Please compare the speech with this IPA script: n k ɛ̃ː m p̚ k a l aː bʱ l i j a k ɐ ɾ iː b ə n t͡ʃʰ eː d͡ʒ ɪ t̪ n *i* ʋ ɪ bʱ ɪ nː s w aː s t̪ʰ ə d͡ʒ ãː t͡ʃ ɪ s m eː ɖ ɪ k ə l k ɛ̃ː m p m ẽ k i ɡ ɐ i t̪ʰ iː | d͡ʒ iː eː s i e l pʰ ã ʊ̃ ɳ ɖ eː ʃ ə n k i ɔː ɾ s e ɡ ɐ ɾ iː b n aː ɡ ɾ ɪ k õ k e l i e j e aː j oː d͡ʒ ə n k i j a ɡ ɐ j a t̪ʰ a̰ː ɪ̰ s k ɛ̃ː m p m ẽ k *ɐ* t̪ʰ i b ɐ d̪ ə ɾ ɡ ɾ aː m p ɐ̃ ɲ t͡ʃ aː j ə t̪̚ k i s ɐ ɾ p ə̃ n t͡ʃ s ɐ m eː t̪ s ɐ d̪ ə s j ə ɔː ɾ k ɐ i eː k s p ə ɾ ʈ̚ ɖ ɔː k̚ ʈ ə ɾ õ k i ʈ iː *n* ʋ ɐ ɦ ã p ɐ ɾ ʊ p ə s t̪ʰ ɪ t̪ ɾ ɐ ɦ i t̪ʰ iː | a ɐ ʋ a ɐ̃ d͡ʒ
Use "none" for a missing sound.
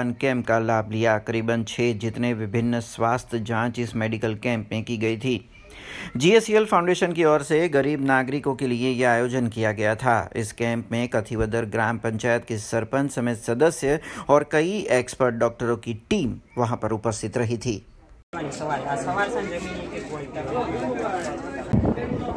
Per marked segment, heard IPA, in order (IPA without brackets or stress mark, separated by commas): e, ɐ, m